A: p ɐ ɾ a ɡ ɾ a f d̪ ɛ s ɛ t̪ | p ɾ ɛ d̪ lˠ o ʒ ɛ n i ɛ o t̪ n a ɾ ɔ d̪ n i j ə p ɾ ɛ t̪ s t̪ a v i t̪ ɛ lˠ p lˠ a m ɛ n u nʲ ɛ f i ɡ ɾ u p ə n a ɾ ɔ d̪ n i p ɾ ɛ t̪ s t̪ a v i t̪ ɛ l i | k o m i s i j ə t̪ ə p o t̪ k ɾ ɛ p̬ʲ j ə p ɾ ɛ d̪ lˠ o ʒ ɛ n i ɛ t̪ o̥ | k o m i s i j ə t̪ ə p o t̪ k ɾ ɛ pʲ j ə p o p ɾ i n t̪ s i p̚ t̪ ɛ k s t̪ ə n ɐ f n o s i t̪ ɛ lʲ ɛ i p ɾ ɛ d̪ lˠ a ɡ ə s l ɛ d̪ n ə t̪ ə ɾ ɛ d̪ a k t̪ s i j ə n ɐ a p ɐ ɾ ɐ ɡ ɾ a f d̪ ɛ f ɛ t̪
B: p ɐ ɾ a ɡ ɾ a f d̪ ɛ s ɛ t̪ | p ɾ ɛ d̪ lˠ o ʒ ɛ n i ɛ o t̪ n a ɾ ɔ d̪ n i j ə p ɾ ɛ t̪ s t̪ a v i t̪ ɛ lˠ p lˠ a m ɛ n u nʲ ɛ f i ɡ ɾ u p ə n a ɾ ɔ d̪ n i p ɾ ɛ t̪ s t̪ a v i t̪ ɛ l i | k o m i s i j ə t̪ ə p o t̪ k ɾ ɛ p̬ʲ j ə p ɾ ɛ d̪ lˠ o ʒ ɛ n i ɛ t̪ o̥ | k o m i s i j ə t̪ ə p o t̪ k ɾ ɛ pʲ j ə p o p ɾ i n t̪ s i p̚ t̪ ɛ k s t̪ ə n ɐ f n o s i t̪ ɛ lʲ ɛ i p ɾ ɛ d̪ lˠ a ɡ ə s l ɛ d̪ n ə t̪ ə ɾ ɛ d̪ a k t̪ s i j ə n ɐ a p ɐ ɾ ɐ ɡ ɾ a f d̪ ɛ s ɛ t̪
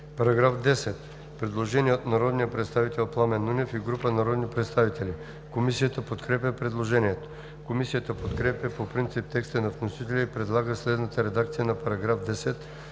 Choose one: B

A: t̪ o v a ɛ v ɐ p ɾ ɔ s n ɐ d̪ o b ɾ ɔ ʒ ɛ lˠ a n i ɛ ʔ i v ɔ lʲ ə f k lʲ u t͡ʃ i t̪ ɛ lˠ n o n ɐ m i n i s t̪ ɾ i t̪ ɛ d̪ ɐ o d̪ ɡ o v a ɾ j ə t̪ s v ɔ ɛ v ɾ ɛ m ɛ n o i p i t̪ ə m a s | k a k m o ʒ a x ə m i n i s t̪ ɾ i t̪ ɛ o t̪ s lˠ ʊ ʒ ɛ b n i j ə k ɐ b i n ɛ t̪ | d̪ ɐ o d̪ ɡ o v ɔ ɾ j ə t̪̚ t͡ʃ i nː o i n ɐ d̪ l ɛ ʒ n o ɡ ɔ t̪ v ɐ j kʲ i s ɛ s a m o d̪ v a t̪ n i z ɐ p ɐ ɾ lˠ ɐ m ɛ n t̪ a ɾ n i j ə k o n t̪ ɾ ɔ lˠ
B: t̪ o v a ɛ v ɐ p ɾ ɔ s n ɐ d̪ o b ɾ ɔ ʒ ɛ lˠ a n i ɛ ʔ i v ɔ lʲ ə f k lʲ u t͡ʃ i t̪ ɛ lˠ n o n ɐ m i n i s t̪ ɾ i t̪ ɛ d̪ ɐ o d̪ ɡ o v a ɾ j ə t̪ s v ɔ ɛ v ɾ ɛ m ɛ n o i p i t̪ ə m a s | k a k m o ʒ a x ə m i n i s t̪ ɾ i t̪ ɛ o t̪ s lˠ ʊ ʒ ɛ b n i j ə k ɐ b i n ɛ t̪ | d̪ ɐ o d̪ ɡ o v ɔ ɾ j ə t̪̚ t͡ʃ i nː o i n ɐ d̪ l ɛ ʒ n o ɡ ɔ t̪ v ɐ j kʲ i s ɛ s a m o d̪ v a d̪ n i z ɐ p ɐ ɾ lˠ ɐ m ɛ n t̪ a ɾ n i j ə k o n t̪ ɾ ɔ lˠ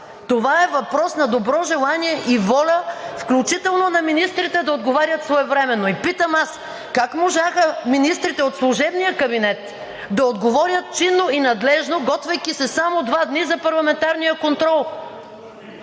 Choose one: B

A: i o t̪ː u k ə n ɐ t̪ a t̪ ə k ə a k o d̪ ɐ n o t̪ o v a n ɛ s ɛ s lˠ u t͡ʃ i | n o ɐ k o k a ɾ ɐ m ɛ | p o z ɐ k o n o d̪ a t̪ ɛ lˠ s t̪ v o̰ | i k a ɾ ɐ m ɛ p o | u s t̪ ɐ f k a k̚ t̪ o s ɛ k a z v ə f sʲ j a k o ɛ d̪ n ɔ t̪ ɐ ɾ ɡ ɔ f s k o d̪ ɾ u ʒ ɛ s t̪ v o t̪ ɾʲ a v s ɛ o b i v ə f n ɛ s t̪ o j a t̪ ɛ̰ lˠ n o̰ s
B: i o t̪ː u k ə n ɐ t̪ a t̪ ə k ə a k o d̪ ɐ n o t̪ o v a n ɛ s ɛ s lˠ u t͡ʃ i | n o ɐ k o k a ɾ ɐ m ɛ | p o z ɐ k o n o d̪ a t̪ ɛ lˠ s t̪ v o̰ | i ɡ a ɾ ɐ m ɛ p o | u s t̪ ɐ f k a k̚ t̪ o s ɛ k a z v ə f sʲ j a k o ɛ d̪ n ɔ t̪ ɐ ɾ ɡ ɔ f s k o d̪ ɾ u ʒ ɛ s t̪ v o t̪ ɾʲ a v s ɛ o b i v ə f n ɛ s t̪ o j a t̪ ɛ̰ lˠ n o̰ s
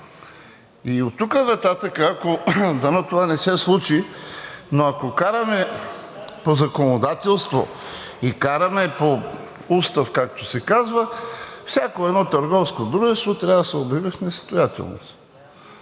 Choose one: A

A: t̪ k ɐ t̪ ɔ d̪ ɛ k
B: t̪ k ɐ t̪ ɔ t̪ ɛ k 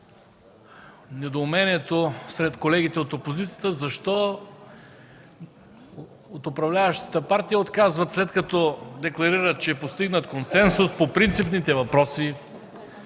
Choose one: A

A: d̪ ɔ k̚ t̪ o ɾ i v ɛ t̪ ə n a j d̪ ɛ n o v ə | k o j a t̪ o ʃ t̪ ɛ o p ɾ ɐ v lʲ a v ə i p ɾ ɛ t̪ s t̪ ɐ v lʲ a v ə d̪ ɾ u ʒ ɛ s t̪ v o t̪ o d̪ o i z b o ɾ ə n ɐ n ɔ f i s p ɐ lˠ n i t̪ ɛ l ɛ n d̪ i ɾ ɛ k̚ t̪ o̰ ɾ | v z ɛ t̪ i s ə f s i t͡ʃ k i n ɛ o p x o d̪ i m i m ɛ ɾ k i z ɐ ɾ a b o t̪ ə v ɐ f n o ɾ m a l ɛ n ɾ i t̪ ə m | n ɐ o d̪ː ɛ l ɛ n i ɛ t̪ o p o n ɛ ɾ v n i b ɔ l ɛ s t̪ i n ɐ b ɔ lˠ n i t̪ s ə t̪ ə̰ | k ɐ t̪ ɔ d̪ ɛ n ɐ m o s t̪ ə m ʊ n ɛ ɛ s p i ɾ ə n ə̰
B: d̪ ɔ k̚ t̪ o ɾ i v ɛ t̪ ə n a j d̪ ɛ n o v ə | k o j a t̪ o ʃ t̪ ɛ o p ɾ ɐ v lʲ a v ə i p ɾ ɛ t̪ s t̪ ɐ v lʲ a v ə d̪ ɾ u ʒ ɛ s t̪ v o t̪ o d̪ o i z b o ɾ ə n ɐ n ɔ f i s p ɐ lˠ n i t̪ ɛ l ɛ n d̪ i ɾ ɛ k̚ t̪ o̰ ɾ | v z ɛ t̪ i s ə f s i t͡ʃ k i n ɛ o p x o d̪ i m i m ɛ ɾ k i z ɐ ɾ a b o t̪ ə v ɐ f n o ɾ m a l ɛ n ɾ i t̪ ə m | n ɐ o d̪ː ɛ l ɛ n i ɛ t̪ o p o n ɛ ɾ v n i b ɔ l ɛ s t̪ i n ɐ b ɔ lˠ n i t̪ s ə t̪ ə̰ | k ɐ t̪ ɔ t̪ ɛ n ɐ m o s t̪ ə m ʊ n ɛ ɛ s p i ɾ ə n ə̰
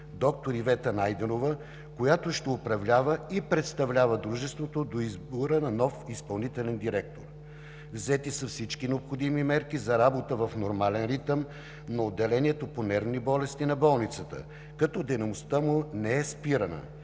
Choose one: A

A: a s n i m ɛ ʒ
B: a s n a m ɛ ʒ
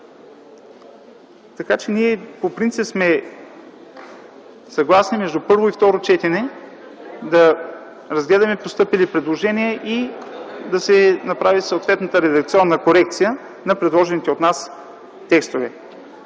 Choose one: A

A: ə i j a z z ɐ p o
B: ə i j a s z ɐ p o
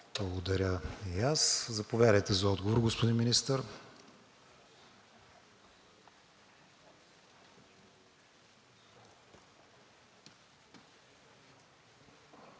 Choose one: B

